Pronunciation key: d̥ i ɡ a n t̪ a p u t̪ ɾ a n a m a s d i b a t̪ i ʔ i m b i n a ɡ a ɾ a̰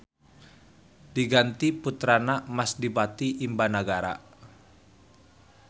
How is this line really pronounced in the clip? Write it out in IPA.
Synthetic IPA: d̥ i ɡ a n t̪ i p u t̪ ɾ a n a m a s d i b a t̪ i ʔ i m b a n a ɡ a ɾ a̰